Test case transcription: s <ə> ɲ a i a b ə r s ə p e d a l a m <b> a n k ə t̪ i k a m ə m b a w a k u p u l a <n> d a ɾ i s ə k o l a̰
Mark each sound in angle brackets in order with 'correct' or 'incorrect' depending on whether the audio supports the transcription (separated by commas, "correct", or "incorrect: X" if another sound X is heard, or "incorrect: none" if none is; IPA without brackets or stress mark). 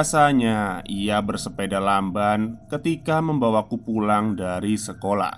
incorrect: a, correct, incorrect: ŋ